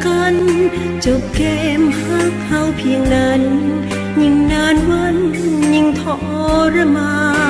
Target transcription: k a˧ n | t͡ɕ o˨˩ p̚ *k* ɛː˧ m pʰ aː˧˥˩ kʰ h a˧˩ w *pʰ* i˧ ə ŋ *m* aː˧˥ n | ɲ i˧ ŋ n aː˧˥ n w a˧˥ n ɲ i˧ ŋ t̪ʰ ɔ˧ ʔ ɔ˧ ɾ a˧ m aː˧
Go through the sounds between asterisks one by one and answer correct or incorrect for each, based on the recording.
correct, correct, incorrect: n

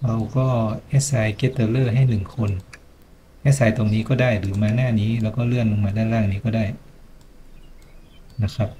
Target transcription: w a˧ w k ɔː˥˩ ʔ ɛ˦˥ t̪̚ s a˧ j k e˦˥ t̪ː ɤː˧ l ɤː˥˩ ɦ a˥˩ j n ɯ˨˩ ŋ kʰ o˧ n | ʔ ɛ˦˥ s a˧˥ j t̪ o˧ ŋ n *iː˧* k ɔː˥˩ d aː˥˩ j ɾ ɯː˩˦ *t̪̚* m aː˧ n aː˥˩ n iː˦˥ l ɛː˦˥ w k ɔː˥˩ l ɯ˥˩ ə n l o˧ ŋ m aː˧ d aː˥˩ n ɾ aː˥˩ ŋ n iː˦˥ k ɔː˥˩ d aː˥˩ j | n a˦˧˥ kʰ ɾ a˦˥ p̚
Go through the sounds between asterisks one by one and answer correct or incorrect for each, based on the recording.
incorrect: iː˦˥, incorrect: none

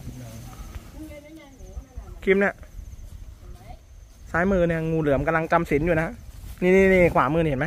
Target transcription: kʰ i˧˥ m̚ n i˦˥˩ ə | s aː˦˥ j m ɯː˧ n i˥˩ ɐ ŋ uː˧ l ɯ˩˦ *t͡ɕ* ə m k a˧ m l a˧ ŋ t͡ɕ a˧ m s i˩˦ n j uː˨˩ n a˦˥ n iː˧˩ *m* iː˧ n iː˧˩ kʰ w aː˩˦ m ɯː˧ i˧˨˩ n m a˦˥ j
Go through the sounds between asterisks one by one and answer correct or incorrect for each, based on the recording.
incorrect: none, incorrect: n

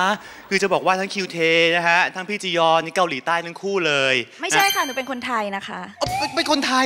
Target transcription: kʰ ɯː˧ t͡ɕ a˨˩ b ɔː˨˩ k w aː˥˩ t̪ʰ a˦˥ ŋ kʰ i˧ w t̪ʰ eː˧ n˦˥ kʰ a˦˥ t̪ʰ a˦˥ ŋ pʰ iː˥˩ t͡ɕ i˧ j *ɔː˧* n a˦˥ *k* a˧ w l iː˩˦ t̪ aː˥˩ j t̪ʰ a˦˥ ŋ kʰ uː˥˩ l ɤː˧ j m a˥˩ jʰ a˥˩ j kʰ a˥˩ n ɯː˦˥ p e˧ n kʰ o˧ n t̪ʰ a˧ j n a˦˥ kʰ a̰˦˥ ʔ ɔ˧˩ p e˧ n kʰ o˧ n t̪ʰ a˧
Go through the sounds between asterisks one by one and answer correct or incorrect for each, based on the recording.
correct, correct

